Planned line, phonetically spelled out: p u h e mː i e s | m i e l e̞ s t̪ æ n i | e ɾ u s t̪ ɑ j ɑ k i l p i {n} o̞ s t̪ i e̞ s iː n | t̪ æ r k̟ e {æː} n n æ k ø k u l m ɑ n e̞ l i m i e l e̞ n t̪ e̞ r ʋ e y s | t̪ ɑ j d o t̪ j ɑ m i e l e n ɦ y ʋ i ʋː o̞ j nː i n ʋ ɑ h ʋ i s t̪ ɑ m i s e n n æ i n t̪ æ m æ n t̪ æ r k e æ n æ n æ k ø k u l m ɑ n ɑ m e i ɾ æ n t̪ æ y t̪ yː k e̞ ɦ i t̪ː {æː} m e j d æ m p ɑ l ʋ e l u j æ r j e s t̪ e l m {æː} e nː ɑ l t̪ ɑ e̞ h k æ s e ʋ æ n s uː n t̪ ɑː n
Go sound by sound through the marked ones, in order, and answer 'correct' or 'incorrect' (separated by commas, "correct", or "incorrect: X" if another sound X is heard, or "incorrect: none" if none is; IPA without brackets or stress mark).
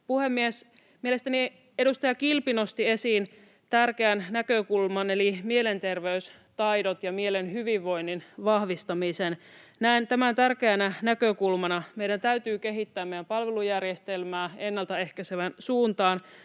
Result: correct, incorrect: æ, correct, correct